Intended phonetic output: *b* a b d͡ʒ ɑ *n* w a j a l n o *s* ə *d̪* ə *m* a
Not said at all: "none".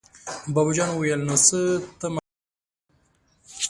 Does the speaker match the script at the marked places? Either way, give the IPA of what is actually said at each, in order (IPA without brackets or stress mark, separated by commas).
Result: b, n, s, t̪, m